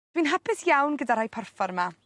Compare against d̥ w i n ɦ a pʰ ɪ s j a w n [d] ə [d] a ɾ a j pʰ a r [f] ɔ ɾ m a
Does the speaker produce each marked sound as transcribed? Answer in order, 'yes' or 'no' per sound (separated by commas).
no, yes, yes